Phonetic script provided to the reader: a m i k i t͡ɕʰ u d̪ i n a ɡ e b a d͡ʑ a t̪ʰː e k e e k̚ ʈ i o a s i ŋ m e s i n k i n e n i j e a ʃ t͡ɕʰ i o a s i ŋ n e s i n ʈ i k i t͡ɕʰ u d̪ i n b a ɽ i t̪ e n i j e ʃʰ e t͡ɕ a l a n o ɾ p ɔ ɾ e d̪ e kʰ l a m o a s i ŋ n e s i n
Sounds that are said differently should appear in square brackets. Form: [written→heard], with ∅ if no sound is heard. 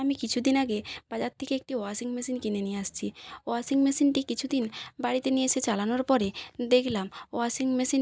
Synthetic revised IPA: a m i k i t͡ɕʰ u d̪ i n a ɡ e b a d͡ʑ a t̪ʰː e k e e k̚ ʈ i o a s i ŋ m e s i n k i n e n i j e a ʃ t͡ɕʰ i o a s i ŋ [n→m] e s i n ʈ i k i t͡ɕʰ u d̪ i n b a ɽ i t̪ e n i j e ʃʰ e t͡ɕ a l a n o ɾ p ɔ ɾ e d̪ e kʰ l a m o a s i ŋ [n→m] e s i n

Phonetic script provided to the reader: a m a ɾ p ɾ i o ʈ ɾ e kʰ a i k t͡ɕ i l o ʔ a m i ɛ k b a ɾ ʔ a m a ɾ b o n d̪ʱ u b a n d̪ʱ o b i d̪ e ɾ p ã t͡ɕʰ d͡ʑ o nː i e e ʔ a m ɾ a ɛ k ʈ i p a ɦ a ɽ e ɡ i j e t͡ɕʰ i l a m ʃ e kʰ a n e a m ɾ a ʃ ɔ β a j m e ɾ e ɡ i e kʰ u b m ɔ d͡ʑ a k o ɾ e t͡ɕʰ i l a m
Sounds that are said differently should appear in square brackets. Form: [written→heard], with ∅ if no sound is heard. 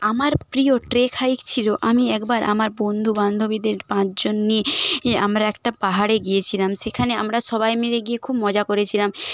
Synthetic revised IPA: a m a ɾ p ɾ i o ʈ ɾ e kʰ a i k [t͡ɕ→t͡ɕʰ] i l o ʔ a m i ɛ k b a ɾ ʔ a m a ɾ b o n d̪ʱ u b a n d̪ʱ o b i d̪ e ɾ p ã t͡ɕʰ d͡ʑ o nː i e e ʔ a m ɾ a ɛ k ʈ [i→a] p a ɦ a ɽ e ɡ i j e t͡ɕʰ i l a m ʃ e kʰ a n e a m ɾ a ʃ ɔ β a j m e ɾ e ɡ i e kʰ u b m ɔ d͡ʑ a k o ɾ e t͡ɕʰ i l a m

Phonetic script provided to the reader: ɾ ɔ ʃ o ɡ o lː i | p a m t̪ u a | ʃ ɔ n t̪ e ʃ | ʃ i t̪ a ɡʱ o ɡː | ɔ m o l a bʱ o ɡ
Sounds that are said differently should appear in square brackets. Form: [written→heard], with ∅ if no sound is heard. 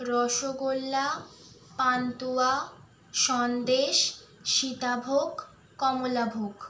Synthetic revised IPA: ɾ ɔ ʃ o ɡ o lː [i→a] | p a [m→n] t̪ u a | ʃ ɔ n [t̪→d̪] e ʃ | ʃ i t̪ a [ɡʱ→bʱ] o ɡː | ɔ m o l a bʱ o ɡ

